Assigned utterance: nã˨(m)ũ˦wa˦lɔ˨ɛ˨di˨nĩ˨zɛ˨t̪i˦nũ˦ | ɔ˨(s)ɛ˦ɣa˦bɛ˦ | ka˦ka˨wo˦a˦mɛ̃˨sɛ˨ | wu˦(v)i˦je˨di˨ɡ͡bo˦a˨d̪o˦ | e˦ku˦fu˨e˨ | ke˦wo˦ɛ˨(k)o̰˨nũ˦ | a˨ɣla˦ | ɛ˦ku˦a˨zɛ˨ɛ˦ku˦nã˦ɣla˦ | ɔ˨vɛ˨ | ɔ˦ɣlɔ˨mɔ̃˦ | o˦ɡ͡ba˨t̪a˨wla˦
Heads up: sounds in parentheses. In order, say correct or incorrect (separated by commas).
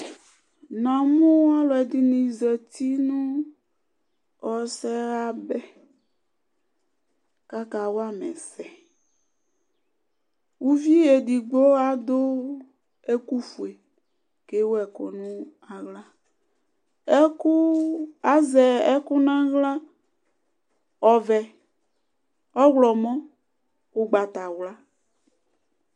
correct, correct, correct, correct